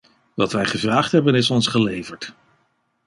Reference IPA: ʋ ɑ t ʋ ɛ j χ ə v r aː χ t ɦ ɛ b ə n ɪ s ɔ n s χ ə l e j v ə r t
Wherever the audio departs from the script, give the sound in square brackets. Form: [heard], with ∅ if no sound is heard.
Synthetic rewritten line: ʋ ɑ t ʋ ɛ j χ ə v r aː χ t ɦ ɛ b ə n ɪ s ɔ n s χ ə l e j v ə [ɹ] t